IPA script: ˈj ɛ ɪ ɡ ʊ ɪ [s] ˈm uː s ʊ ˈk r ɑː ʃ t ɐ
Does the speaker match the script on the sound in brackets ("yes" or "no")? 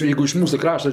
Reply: no